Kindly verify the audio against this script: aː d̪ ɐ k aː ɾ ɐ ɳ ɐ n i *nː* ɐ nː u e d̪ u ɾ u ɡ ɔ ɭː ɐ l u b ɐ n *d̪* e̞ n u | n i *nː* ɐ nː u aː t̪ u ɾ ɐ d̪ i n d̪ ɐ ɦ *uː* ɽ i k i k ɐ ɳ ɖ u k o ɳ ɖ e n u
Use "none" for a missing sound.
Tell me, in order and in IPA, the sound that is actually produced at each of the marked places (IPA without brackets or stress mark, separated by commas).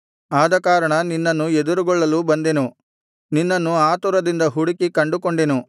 nː, d̪, nː, u